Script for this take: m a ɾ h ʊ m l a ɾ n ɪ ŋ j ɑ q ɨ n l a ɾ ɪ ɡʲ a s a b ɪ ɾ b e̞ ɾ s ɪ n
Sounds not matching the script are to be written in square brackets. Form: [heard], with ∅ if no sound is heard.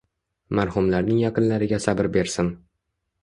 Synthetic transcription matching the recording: m a ɾ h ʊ m l a ɾ n ɪ ŋ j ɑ q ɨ n l a ɾ ɪ ɡʲ a s a b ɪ ɾ b e̞ ɾ s ɪ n